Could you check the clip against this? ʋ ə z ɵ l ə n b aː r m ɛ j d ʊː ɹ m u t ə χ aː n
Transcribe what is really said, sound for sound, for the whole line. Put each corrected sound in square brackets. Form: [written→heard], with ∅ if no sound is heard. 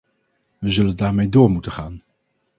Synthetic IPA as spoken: ʋ ə z ɵ l ə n [b→d] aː [r→ɹ] m [ɛ→e] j d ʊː ɹ m u t ə χ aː n